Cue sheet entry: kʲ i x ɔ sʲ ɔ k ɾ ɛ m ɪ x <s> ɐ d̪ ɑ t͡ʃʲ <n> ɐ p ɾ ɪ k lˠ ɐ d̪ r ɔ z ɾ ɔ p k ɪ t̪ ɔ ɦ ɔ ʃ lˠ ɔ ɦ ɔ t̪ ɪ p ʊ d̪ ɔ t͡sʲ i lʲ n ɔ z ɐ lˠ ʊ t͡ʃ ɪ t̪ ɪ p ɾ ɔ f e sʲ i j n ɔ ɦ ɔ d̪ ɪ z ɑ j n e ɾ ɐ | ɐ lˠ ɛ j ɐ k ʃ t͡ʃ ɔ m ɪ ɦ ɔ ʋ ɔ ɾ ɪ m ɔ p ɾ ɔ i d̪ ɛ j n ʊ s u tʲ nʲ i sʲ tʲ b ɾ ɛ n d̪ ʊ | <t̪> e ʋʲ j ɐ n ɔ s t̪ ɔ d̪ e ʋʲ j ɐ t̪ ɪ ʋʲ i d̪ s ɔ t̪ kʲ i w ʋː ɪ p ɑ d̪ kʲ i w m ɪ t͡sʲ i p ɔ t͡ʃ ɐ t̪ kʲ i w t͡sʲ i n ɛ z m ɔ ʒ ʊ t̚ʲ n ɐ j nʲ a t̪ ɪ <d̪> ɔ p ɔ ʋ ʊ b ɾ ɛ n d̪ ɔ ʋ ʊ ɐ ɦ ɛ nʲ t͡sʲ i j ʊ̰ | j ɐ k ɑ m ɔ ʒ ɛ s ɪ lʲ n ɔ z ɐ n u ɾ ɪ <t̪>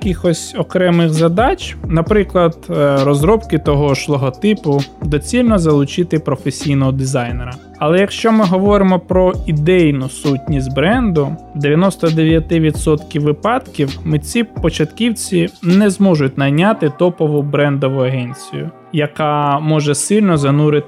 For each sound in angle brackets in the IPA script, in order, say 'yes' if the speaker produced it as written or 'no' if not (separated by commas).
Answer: no, yes, no, no, yes